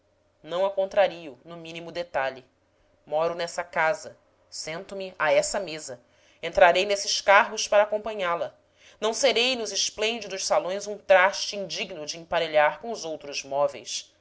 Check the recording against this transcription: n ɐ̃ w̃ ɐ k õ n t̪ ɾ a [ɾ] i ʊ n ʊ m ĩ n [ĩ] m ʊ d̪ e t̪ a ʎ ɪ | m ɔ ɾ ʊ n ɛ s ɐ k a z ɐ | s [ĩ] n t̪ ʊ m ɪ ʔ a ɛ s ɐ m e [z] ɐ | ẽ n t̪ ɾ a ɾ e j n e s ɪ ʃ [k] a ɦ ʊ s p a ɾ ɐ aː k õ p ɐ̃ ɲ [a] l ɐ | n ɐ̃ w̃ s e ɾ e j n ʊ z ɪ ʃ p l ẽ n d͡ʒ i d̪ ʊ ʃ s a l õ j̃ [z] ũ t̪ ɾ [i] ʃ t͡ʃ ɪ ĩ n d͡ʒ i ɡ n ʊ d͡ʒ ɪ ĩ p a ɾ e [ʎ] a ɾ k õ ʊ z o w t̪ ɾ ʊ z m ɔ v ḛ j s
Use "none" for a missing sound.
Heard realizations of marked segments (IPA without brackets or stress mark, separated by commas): ɾ, i, ẽ, z, k, a, z, a, ʎ